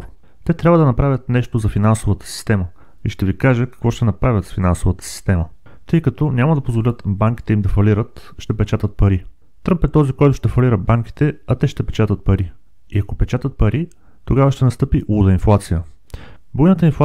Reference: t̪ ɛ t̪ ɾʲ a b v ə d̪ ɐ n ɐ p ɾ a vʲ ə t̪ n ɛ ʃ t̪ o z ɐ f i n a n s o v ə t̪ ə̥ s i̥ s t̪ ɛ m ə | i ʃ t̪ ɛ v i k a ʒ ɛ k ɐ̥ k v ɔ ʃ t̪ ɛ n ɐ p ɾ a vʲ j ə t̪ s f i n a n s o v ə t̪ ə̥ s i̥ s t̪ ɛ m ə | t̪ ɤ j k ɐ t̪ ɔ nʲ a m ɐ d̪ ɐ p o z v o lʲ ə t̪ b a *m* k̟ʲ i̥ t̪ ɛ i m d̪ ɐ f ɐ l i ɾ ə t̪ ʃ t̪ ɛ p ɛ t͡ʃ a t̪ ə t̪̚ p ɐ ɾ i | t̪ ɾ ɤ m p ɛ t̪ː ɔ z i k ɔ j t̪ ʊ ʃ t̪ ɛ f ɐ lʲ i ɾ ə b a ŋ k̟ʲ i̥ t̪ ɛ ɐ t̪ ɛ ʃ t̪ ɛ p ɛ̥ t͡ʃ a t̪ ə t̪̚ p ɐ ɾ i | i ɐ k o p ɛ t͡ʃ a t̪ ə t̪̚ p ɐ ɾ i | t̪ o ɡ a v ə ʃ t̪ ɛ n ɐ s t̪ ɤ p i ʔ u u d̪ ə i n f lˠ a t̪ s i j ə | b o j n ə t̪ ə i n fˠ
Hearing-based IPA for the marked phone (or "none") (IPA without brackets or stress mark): ŋ